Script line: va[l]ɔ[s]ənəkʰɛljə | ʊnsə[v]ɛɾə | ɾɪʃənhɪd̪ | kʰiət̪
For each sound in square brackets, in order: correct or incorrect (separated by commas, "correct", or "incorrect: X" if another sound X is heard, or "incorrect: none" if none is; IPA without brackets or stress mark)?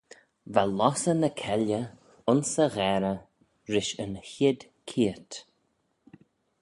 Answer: correct, correct, incorrect: ɣ